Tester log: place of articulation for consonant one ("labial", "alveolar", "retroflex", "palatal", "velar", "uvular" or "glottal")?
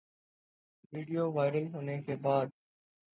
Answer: labial